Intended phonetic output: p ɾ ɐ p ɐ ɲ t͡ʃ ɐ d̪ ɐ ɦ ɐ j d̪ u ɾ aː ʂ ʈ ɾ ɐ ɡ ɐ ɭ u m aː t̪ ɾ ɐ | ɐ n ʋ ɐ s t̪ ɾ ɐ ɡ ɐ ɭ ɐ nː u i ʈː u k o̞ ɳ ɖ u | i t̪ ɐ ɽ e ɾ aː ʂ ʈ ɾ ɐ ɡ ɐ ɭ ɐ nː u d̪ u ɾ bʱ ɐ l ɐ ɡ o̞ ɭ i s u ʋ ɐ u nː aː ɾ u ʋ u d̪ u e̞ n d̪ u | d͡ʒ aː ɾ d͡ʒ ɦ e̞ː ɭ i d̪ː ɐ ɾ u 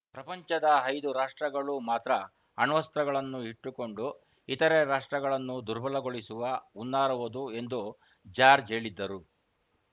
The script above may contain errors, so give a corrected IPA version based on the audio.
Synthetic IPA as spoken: p ɾ ɐ p ɐ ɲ t͡ʃ ɐ d̪ ɐ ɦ ɐ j d̪ u ɾ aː ʂ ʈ ɾ ɐ ɡ ɐ ɭ u m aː t̪ ɾ ɐ | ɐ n ʋ ɐ s t̪ ɾ ɐ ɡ ɐ ɭ ɐ nː u i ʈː u k o̞ ɳ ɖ u | i t̪ ɐ ɾ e ɾ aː ʂ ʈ ɾ ɐ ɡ ɐ ɭ ɐ nː u d̪ u ɾ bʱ ɐ l ɐ ɡ o̞ ɭ i s u ʋ ɐ u nː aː ɾ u ʋ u d̪ u e̞ n d̪ u | d͡ʒ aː ɾ d͡ʒ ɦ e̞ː ɭ i d̪ː ɐ ɾ u